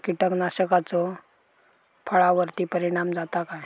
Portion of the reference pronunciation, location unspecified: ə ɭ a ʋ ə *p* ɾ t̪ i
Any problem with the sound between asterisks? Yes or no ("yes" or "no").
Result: yes